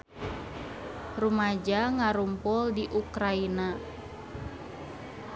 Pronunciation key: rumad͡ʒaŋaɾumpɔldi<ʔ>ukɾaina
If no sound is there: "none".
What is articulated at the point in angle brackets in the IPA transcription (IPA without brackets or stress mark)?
ʔ